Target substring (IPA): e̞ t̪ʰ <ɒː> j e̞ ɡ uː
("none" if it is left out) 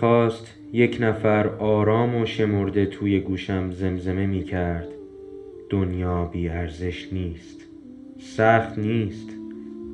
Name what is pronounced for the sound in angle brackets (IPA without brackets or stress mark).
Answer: uː